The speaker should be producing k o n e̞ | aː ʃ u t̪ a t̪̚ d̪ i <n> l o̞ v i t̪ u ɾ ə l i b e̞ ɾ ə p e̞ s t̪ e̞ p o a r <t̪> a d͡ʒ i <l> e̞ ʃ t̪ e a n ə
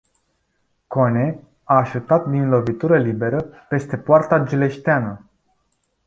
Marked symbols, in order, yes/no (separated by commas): yes, yes, yes